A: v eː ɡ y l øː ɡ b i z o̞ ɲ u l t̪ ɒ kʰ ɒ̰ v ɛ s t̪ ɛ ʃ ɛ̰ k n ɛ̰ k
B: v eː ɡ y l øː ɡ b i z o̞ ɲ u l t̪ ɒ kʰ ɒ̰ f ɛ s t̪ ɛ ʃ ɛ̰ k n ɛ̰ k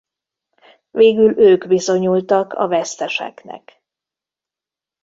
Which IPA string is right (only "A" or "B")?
A